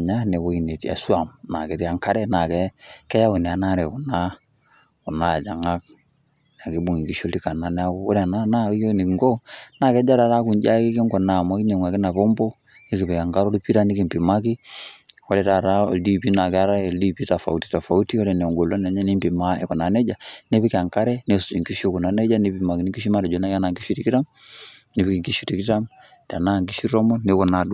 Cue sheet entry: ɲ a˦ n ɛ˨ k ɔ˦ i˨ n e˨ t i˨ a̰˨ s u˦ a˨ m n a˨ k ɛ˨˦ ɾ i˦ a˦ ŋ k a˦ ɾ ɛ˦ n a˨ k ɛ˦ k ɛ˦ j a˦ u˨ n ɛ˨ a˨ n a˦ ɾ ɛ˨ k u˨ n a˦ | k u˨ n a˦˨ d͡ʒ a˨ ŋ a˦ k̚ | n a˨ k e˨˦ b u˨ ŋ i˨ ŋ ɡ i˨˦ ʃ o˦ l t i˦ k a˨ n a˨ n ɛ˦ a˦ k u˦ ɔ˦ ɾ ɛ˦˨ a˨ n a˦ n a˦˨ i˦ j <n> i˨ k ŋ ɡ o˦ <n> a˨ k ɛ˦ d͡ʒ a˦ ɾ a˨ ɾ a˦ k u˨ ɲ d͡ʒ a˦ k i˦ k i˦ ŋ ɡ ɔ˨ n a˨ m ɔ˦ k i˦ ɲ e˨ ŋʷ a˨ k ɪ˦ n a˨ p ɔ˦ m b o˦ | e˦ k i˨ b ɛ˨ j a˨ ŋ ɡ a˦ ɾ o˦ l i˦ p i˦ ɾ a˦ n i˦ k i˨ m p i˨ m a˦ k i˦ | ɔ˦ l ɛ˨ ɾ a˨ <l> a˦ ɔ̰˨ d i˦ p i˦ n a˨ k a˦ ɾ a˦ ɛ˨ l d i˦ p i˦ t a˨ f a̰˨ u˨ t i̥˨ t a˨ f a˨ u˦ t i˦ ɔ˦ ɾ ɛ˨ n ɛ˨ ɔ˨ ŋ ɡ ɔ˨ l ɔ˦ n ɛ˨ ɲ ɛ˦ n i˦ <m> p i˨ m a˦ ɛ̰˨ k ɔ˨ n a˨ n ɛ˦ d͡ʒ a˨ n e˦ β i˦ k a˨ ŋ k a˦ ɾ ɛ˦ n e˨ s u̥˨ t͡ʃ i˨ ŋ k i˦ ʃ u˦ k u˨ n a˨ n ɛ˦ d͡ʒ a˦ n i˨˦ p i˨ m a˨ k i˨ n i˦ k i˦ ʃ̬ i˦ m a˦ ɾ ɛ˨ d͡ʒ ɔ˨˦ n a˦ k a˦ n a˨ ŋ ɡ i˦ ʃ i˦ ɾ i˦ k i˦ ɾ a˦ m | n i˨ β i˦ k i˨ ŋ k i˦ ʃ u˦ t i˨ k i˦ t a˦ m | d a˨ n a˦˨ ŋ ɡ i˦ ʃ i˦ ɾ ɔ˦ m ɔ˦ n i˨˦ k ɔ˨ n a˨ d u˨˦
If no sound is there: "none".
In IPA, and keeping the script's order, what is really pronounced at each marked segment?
n, n, ɾ, m

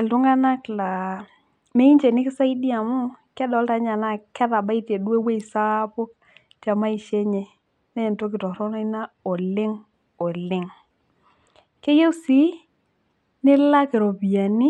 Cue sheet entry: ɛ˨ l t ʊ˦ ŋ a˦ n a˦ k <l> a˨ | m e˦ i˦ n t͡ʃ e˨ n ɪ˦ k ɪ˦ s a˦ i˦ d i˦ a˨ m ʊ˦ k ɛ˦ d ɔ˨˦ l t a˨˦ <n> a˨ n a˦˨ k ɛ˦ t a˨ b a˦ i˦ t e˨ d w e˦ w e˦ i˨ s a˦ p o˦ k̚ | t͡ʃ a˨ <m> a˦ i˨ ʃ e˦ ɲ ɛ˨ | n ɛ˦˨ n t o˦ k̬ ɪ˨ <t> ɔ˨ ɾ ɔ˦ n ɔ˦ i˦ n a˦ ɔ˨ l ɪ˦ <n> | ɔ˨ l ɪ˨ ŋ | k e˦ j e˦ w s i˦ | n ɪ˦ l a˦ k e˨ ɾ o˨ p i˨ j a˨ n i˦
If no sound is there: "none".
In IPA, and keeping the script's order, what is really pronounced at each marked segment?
l, ɲ, m, t, ŋ

